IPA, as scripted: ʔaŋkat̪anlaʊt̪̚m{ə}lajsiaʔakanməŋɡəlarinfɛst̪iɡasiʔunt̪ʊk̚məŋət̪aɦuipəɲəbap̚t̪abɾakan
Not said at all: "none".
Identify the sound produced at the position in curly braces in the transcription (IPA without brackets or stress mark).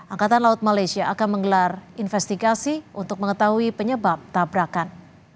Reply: a